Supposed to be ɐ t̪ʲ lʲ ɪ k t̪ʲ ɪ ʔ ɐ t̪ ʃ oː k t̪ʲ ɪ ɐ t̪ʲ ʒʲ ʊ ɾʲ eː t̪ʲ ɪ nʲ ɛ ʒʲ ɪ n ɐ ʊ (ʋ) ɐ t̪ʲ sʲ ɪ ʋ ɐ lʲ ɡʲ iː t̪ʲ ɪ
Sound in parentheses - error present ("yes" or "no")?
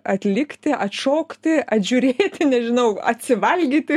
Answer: yes